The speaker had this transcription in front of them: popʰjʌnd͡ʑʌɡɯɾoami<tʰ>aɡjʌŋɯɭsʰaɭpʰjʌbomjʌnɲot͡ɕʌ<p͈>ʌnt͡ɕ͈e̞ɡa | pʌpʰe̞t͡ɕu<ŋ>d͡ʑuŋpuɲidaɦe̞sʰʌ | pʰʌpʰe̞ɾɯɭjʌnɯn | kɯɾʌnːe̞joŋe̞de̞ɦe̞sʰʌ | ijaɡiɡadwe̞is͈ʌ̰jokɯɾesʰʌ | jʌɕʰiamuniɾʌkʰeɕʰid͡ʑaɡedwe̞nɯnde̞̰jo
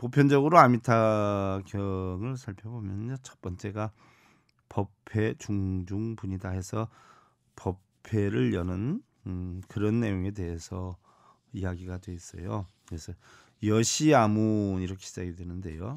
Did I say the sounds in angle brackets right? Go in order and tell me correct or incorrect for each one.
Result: correct, correct, correct

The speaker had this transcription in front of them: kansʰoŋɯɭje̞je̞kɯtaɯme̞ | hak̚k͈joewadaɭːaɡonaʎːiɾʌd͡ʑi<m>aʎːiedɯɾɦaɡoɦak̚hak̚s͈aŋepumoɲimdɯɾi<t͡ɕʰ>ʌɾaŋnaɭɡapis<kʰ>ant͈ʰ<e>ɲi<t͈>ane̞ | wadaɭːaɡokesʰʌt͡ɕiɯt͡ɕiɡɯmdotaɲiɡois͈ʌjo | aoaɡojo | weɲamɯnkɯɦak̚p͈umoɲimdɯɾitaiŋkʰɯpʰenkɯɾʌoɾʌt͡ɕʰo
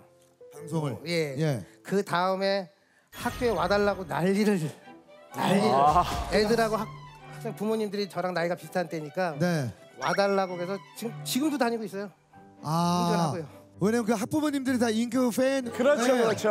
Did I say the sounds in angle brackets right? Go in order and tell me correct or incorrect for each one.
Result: incorrect, incorrect, incorrect, correct, incorrect

